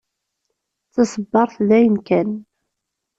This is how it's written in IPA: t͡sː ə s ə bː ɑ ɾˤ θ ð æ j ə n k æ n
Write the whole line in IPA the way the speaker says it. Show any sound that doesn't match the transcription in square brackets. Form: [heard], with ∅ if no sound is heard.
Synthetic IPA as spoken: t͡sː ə s ə bː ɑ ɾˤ θ ð æ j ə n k æ n

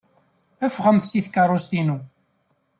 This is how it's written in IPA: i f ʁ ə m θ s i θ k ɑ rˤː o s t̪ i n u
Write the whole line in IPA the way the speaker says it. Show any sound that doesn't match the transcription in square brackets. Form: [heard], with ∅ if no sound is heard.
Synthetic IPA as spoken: [æ] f ʁ ə m θ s i θ k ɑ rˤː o s t̪ i n u

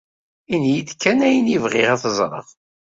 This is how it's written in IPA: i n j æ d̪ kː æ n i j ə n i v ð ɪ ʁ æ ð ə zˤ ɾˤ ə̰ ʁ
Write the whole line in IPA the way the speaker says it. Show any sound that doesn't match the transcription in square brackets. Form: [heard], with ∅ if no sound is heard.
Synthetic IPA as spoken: i n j [i] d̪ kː æ n [æ] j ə n i v [ʁ] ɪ ʁ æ [θ] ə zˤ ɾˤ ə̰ ʁ

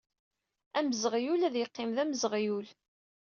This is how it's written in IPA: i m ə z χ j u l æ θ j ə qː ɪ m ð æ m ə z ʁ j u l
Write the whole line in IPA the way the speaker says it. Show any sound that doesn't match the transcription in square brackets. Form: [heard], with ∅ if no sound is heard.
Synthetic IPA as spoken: [æ] m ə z [ʁ] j u l æ [ð] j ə qː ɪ m ð æ m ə z ʁ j u l

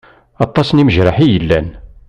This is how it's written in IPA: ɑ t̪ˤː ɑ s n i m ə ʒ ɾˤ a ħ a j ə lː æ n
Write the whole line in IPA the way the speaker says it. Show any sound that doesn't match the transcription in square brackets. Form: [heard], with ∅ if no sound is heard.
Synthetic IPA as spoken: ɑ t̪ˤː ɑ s n i m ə ʒ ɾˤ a ħ [i] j ə lː æ n

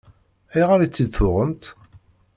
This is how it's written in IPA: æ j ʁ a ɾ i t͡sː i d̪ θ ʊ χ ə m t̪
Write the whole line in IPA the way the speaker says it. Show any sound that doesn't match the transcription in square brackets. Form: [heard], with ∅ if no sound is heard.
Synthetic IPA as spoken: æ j ʁ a ɾ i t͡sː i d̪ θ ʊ [ʁ] ə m t̪

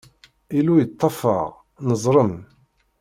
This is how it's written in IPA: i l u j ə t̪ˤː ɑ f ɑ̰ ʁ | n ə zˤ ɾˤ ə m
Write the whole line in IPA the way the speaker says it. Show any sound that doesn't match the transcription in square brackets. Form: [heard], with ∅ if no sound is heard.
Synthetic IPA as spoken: i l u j ə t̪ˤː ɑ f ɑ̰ ʁ | n ə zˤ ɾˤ ə m

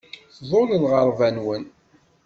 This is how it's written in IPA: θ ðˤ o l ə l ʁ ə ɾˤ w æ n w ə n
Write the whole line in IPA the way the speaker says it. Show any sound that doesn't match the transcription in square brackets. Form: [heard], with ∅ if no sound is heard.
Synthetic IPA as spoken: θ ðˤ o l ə l ʁ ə ɾˤ [v] æ n w ə n

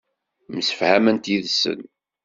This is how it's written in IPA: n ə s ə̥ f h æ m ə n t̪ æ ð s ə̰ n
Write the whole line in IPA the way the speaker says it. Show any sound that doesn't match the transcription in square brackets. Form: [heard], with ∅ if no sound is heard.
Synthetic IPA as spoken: [m] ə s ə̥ f h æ m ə n t̪ [i] ð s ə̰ n

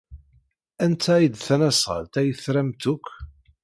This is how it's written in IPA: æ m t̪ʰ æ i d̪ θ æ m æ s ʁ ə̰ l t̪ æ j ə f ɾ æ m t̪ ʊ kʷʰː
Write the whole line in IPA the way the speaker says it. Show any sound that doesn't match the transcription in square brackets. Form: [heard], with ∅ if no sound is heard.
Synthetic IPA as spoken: æ [n] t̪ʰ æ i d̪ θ æ [n] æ s ʁ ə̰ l t̪ æ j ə [θ] ɾ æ m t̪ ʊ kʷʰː

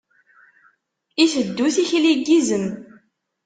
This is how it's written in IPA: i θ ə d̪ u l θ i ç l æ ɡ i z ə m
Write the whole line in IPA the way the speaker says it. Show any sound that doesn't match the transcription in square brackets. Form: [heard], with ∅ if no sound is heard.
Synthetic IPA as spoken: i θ ə [d̪ː] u [∅] θ i ç l [i] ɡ i z ə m

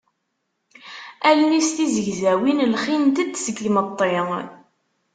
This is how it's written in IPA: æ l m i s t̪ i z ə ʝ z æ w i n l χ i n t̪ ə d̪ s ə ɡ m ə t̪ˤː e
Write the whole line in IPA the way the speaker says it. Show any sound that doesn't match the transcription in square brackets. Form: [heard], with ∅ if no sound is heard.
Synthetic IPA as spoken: æ l [n] i s t̪ i z ə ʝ z æ w i n l χ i n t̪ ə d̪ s ə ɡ m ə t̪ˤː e

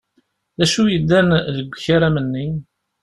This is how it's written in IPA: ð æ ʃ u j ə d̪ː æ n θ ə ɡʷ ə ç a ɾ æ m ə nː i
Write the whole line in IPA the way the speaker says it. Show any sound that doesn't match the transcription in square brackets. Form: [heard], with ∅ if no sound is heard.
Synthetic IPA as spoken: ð æ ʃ u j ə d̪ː æ n [ð] ə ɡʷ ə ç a ɾ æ m ə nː i

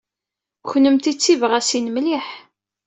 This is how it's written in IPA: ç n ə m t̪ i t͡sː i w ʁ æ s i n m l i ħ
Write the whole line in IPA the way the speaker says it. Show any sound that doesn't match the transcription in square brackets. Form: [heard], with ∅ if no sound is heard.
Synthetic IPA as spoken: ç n ə m t̪ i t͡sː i [v] ʁ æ s i n m l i ħ

